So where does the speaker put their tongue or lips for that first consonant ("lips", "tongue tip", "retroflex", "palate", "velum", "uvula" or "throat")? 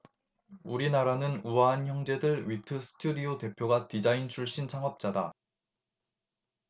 tongue tip